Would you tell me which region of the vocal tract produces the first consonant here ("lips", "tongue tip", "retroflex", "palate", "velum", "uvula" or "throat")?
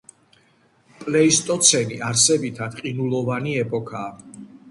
lips